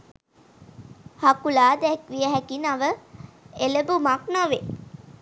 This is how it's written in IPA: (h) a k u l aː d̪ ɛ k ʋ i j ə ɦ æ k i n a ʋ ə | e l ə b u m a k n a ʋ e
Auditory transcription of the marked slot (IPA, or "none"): h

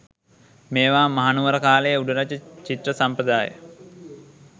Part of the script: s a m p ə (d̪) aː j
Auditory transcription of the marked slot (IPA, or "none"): d̪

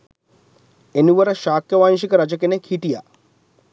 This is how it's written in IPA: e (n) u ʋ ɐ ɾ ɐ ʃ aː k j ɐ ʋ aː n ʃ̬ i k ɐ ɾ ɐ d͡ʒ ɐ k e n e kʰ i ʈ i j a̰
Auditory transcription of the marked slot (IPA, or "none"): n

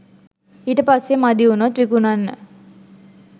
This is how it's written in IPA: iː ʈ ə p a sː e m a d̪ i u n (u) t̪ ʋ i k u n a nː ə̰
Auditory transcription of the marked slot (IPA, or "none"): o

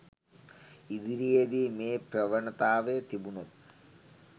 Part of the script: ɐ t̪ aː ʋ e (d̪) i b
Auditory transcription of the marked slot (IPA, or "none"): t̪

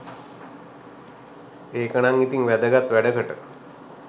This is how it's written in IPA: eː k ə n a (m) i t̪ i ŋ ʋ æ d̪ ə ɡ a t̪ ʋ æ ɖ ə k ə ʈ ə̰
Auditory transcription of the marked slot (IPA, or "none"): ŋ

